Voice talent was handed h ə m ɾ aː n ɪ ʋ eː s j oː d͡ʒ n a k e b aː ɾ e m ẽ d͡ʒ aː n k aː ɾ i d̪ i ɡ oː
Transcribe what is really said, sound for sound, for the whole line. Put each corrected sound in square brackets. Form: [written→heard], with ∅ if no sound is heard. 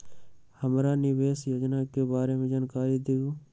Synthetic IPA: h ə m ɾ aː n ɪ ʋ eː s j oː d͡ʒ n a k e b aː ɾ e m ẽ d͡ʒ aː n k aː ɾ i d̪ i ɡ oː